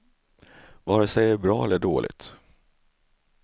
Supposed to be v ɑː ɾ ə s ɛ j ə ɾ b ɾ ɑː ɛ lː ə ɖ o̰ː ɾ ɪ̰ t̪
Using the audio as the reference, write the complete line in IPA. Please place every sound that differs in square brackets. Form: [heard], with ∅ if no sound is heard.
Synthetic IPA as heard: v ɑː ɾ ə s ɛ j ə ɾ b ɾ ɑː ɛ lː ə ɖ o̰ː [l] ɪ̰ t̪